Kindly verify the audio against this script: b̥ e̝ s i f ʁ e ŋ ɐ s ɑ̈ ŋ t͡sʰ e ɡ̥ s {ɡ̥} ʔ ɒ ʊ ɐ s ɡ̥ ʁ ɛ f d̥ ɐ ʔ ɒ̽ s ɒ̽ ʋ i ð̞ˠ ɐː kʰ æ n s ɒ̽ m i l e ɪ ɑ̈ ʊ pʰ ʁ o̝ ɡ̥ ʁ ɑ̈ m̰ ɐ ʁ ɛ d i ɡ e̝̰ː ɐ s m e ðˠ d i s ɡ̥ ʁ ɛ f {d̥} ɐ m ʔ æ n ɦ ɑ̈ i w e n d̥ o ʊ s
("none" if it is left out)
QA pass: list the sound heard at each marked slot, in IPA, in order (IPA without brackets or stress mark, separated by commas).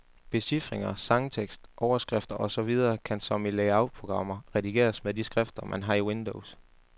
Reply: d̥, d̥